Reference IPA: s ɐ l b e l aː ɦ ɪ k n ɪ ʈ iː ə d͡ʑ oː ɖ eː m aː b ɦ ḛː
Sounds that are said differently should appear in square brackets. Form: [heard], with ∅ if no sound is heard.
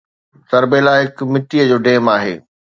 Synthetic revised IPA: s ɐ [ɾ] b e l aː ɦ ɪ k [m] ɪ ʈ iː ə d͡ʑ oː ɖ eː m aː [∅] ɦ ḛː